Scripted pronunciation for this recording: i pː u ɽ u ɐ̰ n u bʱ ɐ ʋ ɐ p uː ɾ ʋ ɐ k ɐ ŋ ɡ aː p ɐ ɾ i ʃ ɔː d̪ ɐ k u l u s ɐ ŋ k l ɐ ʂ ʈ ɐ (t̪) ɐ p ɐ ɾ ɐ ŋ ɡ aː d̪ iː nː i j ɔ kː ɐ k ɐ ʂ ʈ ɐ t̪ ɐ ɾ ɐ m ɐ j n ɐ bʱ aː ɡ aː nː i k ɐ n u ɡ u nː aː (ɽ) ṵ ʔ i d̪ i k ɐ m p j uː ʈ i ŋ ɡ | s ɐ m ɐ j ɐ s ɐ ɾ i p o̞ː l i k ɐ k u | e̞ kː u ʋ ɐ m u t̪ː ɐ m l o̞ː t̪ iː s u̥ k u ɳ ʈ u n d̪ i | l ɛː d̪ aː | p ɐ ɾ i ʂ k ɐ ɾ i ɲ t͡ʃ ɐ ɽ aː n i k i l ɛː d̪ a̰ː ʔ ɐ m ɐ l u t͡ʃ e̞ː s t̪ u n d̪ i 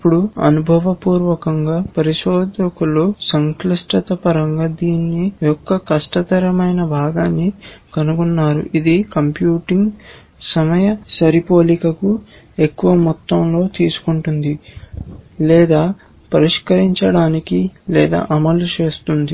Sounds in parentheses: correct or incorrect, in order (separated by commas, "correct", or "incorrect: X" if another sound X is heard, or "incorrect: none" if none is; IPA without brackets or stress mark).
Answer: correct, incorrect: ɾ